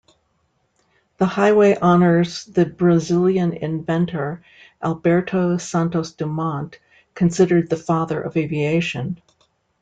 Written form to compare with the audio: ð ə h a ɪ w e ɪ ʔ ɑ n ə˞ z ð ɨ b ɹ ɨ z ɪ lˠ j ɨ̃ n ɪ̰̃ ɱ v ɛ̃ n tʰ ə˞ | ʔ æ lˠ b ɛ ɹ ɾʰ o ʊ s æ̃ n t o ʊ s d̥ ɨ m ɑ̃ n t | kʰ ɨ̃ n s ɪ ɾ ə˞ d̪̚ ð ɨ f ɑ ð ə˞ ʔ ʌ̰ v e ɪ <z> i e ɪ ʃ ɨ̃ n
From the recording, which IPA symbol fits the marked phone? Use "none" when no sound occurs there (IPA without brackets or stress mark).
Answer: v